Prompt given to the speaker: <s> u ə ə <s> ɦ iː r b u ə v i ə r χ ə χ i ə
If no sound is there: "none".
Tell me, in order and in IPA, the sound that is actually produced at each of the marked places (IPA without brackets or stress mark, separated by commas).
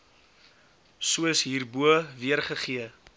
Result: s, s